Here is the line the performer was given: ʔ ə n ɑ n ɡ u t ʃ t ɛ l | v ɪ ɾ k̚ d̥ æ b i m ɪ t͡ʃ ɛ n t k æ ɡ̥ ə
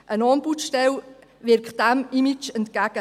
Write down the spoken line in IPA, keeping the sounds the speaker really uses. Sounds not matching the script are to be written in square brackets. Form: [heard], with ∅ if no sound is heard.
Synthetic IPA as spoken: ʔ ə n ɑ n [b] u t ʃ t ɛ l | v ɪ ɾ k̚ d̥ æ [m] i m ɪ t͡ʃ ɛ n t k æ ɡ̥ ə

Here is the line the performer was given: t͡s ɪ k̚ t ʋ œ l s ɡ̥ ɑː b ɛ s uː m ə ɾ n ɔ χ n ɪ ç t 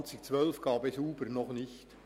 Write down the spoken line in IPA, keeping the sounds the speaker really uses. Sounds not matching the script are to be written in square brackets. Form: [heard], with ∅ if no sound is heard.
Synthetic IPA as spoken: t͡s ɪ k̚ [t͡s] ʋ œ l [f] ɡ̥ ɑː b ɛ s uː [b] ə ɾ n ɔ χ n ɪ ç t

